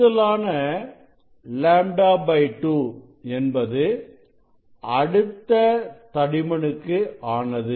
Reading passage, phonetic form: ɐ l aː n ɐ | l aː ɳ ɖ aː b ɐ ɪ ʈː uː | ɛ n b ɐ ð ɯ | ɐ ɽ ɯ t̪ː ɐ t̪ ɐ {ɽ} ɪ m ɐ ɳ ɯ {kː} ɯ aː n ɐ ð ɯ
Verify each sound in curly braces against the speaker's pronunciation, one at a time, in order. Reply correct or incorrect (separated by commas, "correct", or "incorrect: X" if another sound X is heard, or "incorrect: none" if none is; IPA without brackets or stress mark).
correct, correct